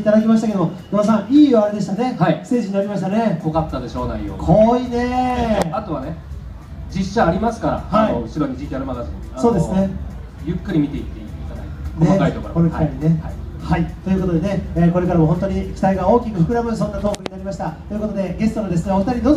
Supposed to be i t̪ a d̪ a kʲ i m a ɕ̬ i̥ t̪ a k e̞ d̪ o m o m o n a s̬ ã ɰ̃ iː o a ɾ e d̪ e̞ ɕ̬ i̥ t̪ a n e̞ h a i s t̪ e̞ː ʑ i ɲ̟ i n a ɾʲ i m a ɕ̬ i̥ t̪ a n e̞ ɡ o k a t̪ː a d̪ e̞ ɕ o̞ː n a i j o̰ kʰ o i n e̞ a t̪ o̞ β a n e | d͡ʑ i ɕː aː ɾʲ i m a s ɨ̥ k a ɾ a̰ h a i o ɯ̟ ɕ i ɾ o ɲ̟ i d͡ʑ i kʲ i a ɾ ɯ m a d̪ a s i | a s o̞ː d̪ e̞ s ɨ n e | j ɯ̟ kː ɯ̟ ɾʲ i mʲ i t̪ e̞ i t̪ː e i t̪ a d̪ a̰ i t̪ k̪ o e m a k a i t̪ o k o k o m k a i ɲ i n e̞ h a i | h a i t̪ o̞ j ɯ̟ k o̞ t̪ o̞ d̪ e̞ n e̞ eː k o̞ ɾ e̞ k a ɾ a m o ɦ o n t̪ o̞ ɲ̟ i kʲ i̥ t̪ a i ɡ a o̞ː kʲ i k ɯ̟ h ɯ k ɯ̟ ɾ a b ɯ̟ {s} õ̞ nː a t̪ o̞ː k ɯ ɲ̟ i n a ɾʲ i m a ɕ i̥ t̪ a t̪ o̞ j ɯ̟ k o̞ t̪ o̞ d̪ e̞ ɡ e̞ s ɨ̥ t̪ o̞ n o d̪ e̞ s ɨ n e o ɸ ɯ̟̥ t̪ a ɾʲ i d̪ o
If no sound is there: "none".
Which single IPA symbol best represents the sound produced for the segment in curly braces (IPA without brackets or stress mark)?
s